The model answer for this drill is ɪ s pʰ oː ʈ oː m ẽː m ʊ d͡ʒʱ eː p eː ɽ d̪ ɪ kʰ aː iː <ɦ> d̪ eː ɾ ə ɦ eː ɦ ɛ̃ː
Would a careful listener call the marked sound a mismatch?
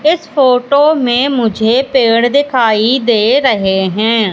yes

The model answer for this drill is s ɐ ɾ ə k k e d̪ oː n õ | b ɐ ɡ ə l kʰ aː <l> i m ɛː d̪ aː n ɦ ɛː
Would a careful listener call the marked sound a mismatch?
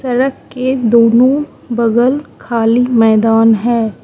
no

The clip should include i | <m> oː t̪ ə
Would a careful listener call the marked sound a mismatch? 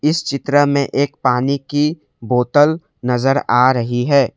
yes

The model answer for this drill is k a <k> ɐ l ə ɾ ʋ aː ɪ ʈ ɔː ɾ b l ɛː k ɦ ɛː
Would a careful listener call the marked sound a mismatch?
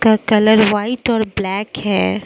no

